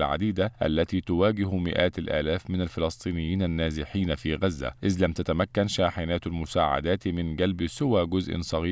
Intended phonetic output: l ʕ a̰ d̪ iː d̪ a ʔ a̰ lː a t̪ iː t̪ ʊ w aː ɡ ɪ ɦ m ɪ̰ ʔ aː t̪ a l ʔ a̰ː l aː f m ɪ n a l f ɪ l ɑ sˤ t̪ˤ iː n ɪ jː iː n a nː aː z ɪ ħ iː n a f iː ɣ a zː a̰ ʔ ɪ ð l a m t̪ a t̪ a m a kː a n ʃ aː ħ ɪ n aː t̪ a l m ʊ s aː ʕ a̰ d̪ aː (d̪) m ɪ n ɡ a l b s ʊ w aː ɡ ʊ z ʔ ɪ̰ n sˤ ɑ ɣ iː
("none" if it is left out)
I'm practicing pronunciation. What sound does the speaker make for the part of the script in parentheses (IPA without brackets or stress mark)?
t̪